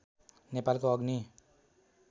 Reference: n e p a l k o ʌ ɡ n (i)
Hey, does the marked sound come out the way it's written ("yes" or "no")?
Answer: yes